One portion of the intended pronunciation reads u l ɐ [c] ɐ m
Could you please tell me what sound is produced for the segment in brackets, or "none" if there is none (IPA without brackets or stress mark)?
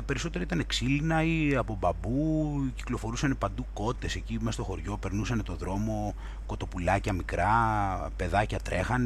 c